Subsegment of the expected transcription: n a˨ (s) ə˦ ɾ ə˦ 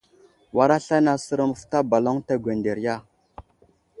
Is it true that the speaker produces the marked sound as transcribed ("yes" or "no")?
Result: yes